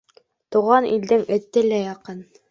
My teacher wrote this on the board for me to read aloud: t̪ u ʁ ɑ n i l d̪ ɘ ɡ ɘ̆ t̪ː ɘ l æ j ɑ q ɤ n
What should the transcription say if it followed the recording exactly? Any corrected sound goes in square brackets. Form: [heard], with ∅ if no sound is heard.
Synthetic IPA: t̪ u ʁ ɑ n i l d̪ ɘ [ŋ] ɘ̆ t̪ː ɘ l æ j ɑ q ɤ n